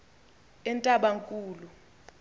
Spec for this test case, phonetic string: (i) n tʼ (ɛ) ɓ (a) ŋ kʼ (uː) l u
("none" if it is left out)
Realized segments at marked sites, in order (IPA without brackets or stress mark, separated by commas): ɛ, a, a, uː